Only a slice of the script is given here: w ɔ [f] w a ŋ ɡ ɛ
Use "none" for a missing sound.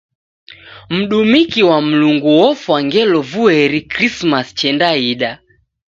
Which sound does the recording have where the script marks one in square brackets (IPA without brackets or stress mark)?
f